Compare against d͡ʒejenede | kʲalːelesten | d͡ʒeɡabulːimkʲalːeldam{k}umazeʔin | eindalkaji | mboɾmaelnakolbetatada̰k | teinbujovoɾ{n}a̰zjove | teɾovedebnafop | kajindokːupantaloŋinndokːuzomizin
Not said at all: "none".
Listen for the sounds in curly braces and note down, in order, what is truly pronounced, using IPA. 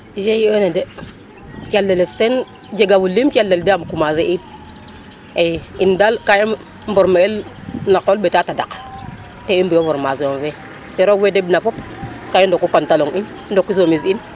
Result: k, m

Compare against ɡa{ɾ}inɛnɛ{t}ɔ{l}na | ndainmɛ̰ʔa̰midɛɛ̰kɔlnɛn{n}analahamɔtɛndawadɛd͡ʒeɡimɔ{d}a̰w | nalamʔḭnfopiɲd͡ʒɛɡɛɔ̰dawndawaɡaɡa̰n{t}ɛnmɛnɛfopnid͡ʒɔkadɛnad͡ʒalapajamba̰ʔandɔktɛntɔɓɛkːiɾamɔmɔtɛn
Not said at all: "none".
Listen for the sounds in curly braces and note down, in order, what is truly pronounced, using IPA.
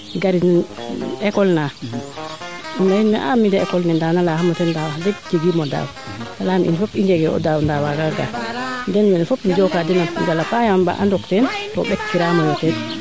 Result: ɾ, k, l, d, d, d

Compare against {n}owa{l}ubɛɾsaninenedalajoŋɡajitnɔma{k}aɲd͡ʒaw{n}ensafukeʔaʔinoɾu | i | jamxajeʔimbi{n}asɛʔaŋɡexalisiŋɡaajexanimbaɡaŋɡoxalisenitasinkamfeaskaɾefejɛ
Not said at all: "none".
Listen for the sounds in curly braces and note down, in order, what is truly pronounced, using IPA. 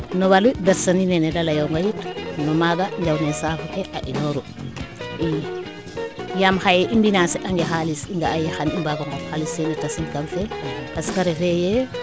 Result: n, l, ɡ, n, n

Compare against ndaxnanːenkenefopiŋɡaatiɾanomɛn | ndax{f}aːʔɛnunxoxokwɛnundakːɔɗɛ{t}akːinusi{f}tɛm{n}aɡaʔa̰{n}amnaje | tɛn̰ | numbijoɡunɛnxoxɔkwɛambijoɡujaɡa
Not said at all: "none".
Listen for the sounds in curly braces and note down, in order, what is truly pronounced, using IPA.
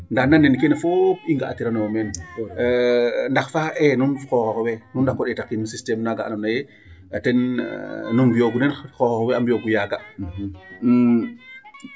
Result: f, t, s, n, n

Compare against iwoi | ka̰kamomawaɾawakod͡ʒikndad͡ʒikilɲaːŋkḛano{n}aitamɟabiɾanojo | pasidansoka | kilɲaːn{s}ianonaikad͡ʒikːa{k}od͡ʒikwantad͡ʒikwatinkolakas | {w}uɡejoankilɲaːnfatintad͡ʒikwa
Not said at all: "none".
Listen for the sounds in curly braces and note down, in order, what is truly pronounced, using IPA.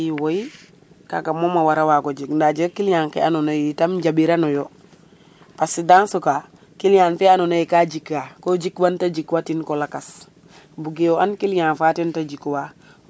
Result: n, f, k, b

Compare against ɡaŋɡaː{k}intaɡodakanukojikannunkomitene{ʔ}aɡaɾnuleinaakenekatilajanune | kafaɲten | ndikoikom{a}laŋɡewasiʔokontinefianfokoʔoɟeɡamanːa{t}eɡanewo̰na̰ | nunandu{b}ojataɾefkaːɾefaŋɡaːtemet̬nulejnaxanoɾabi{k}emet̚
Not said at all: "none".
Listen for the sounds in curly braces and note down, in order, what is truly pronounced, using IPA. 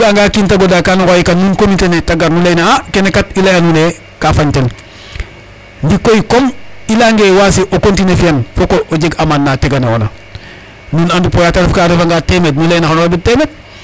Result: k, t, i, t, p, t

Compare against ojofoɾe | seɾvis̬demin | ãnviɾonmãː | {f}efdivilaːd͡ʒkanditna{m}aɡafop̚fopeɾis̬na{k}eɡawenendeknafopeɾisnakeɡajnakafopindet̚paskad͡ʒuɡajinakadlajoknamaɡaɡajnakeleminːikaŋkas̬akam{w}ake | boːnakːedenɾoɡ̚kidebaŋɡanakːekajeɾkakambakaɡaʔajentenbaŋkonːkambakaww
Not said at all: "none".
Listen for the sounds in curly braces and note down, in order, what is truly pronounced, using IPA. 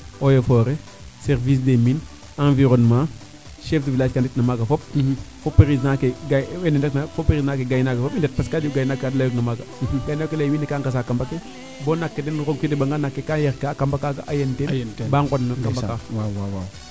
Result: ʃ, m, k, b

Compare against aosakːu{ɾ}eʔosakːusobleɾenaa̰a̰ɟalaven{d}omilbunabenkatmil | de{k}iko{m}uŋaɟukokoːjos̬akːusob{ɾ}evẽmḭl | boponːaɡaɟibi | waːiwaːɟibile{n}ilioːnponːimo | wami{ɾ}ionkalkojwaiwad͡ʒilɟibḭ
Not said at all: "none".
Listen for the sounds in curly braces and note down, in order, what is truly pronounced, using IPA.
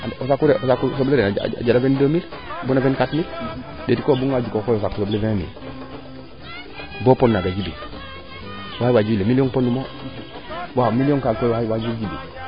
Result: ɾ, d, t, b, l, m, l

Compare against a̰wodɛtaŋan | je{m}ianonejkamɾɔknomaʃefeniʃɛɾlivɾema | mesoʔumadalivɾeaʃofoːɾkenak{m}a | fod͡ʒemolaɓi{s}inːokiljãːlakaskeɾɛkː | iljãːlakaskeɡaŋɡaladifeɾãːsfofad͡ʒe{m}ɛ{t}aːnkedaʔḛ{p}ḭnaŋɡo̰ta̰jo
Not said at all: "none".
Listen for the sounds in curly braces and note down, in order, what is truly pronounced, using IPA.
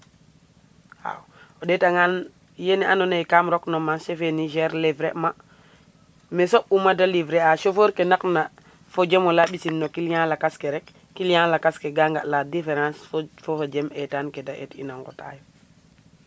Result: n, n, s, m, t, t

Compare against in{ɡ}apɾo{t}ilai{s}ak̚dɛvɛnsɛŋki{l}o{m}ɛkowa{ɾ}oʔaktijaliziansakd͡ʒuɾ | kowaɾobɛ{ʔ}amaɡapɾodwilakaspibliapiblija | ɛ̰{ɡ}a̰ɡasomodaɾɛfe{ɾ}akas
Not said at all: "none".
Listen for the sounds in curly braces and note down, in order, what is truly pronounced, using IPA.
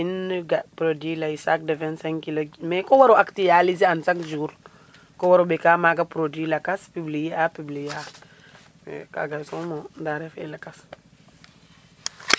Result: ɡ, d, s, l, m, ɾ, k, k, l

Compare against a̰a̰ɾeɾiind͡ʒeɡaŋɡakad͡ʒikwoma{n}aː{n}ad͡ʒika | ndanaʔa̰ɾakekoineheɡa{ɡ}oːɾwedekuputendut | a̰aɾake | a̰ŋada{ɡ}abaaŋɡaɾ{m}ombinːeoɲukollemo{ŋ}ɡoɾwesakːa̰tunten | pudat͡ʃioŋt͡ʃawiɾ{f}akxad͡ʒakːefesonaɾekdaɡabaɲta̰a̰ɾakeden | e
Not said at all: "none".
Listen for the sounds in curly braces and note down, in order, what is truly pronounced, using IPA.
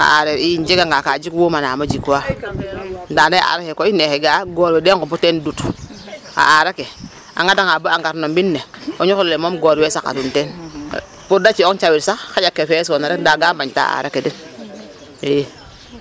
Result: n, m, ɡ, ŋ, n, m, s

